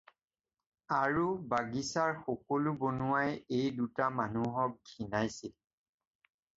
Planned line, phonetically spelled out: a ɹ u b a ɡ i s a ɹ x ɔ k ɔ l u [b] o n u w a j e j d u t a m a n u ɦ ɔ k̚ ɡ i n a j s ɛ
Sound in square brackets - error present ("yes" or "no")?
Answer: no